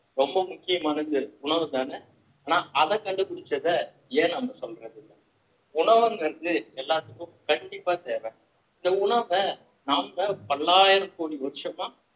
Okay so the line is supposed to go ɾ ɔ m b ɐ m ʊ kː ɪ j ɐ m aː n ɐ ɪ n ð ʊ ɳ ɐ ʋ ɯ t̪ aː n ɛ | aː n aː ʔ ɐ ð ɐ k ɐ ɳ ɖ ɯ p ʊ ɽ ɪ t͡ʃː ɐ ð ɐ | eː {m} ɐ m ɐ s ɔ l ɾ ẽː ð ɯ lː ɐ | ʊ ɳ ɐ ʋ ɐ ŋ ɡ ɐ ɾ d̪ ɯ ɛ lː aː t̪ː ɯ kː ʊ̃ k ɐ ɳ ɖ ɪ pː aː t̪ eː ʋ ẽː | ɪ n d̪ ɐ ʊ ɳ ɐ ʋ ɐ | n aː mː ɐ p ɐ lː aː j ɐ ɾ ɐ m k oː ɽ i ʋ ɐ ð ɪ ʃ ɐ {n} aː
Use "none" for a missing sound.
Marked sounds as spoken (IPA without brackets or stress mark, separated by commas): n, m